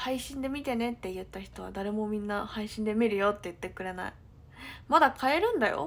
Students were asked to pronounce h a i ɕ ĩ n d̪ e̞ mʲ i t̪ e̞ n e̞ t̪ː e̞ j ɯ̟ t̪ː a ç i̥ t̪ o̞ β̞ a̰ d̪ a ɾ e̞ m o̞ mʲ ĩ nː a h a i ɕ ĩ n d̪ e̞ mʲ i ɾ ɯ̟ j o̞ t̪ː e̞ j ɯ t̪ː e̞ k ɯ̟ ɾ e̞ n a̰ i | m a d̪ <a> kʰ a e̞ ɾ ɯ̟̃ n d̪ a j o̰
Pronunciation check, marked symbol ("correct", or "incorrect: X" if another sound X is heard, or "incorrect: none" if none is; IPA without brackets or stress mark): correct